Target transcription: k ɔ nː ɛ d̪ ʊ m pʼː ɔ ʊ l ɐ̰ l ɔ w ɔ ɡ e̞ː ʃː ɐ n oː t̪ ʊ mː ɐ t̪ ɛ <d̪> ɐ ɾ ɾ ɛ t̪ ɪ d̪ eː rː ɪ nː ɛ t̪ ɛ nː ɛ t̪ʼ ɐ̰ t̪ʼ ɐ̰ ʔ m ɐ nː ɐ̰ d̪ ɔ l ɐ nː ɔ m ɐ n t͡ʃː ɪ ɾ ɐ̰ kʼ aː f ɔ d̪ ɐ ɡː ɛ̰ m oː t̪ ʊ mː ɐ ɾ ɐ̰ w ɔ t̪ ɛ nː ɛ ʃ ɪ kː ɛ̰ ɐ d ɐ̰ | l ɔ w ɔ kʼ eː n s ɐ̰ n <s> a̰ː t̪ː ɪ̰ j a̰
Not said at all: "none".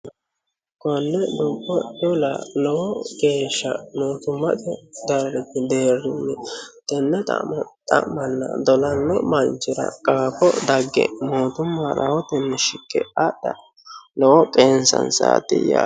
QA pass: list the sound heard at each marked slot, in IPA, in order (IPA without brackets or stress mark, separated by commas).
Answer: d̪, s